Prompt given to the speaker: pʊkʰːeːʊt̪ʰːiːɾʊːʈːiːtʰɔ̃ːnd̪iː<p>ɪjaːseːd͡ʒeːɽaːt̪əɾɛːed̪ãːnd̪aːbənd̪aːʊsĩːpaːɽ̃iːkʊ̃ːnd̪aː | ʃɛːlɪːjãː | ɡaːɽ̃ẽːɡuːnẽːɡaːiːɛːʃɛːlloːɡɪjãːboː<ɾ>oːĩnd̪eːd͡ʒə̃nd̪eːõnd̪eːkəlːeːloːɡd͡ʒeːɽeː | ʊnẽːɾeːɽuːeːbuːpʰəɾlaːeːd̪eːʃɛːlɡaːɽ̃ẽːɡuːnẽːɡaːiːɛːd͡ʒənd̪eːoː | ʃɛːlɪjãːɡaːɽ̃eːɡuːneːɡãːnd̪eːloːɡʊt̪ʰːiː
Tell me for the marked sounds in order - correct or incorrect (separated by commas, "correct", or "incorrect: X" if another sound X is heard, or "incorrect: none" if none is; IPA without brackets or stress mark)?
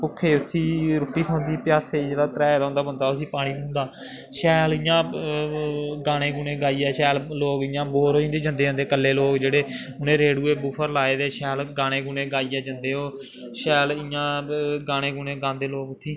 correct, correct